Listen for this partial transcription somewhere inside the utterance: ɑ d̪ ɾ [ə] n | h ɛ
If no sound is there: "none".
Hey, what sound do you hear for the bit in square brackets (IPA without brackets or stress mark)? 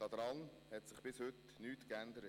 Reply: ɑ